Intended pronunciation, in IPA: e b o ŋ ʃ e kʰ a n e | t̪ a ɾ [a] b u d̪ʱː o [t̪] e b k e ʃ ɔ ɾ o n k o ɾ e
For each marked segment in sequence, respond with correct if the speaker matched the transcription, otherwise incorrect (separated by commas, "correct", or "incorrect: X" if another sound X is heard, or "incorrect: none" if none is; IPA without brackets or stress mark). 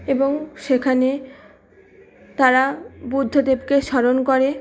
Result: correct, incorrect: d̪